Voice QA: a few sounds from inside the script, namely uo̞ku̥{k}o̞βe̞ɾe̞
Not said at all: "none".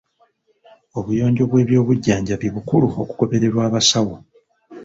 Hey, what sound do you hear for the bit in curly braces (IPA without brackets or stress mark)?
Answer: k